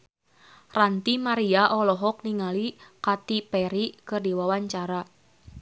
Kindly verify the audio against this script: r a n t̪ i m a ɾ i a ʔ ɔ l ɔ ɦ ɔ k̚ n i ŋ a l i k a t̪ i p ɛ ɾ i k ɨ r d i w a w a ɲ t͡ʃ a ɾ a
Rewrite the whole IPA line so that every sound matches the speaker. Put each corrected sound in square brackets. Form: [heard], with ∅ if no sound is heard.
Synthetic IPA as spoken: r a n t̪ i m a ɾ i a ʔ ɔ l ɔ ɦ ɔ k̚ n i ŋ a l i k a t̪ i p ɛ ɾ i k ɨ r d i w a w a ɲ t͡ʃ a ɾ a